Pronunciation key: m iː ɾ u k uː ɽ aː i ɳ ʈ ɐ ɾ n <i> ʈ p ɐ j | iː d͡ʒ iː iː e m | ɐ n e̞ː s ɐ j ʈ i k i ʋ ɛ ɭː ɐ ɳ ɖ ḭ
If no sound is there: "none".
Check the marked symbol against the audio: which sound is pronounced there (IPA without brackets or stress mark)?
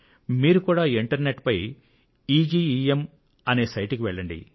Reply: e